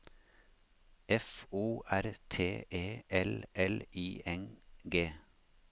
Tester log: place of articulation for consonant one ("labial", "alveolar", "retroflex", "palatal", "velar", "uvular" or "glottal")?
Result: labial